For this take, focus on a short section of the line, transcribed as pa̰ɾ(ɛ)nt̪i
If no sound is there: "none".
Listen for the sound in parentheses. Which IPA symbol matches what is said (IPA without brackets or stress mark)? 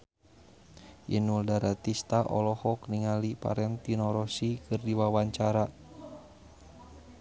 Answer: ɛ